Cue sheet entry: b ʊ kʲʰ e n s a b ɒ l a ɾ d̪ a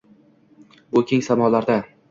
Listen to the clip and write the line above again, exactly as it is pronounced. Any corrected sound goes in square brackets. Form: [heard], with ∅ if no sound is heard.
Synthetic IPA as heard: b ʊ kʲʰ e [ŋ] s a [m] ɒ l a ɾ d̪ a